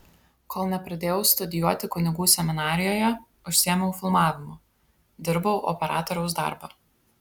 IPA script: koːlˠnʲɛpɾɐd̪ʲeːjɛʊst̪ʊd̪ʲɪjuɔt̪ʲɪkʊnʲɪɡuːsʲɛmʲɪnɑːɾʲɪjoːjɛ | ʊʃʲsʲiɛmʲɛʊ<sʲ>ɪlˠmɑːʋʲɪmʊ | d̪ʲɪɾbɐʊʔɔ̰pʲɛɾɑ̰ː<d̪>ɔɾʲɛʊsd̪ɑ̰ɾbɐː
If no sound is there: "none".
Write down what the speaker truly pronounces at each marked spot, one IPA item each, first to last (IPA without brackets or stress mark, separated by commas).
fʲ, t̪